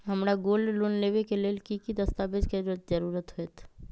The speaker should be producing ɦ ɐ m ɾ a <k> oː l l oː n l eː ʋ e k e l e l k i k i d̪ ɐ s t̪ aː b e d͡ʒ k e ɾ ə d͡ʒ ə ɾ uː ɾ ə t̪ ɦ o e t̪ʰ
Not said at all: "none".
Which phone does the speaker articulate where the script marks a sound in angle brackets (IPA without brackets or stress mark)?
ɡ